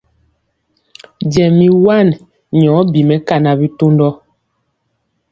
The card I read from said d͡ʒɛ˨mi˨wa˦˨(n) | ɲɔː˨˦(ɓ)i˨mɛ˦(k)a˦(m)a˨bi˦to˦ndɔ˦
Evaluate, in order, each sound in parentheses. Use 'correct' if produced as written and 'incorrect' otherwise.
correct, incorrect: b, correct, incorrect: n

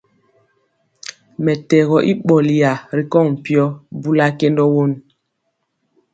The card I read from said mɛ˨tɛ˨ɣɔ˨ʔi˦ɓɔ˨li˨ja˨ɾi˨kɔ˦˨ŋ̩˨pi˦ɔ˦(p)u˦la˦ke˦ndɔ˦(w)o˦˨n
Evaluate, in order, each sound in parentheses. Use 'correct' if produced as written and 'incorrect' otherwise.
incorrect: b, correct

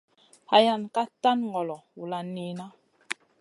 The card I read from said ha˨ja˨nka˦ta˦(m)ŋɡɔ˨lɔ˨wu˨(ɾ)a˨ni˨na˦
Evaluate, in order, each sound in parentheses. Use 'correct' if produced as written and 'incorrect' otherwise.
incorrect: n, incorrect: l

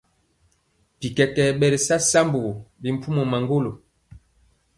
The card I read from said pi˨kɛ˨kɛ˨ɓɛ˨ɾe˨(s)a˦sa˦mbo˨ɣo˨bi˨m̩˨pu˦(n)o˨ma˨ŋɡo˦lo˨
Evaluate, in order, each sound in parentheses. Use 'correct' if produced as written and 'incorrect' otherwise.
correct, incorrect: m

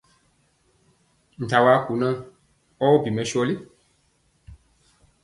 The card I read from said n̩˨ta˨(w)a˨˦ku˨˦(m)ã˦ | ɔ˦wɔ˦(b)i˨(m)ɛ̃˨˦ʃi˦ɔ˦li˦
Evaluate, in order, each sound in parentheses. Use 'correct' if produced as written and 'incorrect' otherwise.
correct, incorrect: n, correct, correct

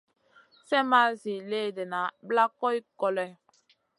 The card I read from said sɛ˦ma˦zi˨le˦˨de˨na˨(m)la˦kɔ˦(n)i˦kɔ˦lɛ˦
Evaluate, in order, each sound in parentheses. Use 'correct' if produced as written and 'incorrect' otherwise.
incorrect: b, incorrect: none

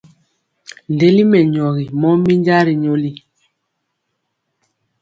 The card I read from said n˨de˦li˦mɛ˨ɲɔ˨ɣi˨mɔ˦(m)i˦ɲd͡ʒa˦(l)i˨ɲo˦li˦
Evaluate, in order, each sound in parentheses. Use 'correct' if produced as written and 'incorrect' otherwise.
correct, incorrect: ɾ

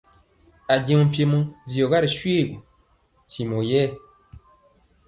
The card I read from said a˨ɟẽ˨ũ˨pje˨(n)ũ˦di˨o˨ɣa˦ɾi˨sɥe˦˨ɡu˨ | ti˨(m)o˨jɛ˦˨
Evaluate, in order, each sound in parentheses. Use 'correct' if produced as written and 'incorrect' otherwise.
incorrect: m, correct

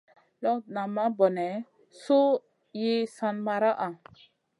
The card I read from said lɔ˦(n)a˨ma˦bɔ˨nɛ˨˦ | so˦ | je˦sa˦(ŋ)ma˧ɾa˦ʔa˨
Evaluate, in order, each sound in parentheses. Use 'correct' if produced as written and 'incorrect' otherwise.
correct, incorrect: n

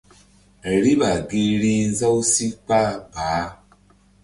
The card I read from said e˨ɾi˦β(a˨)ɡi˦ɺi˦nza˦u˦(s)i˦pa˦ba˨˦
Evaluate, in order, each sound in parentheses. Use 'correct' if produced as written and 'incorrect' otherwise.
correct, correct

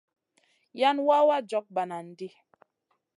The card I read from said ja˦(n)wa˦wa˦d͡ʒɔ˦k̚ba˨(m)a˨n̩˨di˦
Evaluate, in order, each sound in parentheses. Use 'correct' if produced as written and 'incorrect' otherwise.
correct, incorrect: n

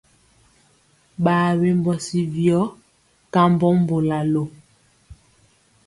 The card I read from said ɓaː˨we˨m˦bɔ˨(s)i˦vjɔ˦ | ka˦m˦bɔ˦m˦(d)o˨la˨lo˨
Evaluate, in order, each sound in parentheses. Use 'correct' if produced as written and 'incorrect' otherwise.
correct, incorrect: b

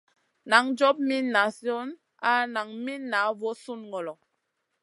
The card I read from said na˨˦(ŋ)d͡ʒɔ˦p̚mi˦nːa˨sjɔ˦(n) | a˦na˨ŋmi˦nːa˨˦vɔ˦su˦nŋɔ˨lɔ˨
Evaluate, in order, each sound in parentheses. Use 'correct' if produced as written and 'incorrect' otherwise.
correct, correct

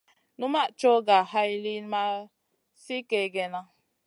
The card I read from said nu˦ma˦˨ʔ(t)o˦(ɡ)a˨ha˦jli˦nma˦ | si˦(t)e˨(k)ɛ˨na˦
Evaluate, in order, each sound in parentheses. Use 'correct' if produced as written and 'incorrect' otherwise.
incorrect: t͡ʃ, correct, incorrect: k, incorrect: ɡ

